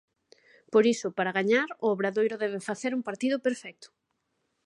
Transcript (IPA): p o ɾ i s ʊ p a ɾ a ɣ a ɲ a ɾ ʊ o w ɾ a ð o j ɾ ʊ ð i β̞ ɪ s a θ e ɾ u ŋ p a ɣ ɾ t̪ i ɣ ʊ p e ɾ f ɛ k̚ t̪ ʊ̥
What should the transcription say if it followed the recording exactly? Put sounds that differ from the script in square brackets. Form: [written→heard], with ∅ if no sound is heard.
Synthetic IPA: p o ɾ i s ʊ p a ɾ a ɣ a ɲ a ɾ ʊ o [w→β] ɾ a ð o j ɾ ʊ ð [i→ɛ] β̞ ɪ [s→f] a θ e ɾ u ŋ p a [ɣ→∅] ɾ t̪ i [ɣ→ð] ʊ p e ɾ f ɛ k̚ t̪ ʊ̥